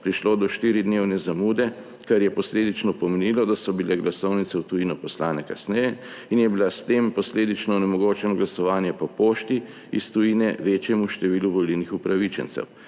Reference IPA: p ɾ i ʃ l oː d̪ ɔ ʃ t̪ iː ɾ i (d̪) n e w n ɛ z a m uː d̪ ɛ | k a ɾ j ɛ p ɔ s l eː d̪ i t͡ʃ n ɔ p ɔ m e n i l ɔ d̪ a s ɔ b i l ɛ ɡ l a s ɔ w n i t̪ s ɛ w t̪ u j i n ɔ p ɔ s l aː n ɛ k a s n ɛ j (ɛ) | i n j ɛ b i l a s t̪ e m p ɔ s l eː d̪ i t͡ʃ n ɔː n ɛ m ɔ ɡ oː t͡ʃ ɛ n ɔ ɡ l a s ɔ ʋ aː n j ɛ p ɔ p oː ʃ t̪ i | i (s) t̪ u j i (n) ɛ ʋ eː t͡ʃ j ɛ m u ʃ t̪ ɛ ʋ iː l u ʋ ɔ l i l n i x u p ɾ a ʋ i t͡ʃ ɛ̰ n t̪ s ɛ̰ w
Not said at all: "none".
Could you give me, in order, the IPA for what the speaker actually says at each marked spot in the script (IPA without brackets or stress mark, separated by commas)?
d̪, ɛ, s, n